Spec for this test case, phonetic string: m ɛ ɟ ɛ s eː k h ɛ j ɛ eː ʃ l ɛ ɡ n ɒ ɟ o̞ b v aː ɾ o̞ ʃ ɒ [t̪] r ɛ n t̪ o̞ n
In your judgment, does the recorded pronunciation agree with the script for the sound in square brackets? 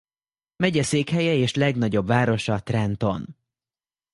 yes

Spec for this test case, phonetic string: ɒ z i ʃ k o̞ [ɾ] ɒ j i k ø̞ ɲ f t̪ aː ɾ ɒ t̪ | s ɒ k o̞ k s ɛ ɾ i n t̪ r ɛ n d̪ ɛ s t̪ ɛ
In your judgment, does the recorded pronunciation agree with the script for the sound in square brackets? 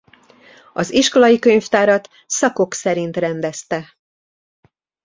no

